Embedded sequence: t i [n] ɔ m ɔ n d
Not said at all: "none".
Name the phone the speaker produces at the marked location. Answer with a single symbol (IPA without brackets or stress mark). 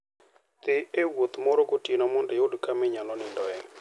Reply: n